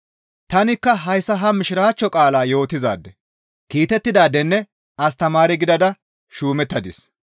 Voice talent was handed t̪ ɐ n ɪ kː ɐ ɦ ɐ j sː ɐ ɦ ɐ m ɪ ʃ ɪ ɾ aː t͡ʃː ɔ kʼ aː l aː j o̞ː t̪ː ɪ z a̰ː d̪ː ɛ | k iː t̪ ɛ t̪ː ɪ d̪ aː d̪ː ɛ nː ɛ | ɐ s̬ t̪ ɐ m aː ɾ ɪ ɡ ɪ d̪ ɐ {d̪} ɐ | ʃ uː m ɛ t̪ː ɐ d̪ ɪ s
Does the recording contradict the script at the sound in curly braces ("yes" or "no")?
no